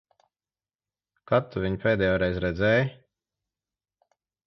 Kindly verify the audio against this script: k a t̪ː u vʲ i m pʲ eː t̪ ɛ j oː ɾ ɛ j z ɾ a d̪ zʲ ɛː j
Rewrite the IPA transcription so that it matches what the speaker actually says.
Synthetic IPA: k a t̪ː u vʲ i ɲ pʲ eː d̪ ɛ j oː ɾ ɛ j z ɾ ɛ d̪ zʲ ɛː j

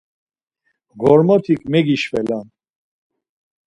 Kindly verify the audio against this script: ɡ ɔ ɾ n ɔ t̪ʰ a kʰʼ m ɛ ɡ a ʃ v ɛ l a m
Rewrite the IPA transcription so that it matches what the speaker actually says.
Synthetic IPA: ɡ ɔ ɾ m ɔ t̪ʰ i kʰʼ m ɛ ɡ i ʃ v ɛ l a n

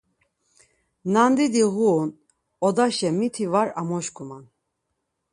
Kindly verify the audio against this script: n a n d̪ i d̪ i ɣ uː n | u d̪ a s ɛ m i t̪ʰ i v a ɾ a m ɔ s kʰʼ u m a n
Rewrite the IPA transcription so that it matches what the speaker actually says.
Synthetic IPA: n a n d̪ i d̪ i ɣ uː n | ɔ d̪ a ʃ ɛ m i t̪ʰ i v a ɾ a m ɔ ʃ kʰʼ u m a n

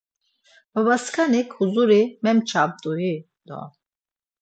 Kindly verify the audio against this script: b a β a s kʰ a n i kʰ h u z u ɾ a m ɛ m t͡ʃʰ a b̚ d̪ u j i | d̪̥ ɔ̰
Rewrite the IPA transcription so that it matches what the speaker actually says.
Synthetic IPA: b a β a s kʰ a n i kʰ h u z u ɾ i m ɛ m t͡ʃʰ a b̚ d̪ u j i | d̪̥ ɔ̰

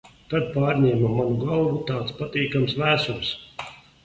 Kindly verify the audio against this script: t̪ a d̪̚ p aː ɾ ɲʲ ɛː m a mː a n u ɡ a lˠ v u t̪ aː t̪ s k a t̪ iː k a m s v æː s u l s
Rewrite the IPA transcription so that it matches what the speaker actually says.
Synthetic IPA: t̪ a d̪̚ p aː ɾ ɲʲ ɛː m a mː a n u ɡ a lˠ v u t̪ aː t̪ s p a t̪ iː k a m s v æː s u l s

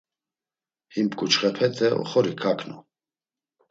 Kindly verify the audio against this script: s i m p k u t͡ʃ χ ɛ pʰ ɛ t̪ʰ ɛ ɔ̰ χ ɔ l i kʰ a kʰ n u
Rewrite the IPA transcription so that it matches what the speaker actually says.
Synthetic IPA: h i m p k u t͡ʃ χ ɛ pʰ ɛ t̪ʰ ɛ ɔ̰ χ ɔ ɾ i kʰ a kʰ n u

